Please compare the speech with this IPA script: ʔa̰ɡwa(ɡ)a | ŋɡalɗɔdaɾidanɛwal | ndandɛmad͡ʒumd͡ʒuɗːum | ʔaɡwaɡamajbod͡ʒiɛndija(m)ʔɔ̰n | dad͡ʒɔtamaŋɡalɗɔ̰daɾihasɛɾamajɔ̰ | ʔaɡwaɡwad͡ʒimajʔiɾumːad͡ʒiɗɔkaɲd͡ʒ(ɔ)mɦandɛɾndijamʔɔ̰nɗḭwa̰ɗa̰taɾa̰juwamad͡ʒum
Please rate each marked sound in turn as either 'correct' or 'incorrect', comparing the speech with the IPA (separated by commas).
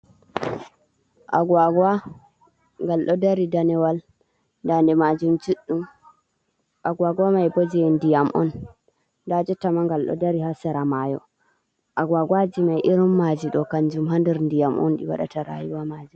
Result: correct, correct, incorrect